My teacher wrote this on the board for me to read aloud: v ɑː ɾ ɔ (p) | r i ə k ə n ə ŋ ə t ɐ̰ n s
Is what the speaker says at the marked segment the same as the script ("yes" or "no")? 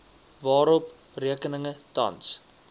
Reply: yes